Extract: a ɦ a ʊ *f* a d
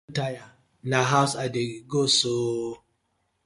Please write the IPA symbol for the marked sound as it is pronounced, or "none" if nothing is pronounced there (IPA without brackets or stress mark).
s